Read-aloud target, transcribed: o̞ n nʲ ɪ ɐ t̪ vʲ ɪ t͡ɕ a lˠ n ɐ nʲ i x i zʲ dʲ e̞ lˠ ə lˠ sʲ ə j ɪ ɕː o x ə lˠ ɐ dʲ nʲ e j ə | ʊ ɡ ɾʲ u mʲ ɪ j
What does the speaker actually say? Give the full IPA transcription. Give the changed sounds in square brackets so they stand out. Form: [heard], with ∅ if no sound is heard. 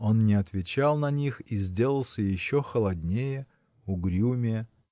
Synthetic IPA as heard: o̞ n nʲ ɪ ɐ t̪ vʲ ɪ t͡ɕ a lˠ n ɐ nʲ i x i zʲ dʲ e̞ lˠ ə lˠ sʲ ə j ɪ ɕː o x ə lˠ ɐ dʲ nʲ e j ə | ʊ ɡ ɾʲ u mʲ ɪ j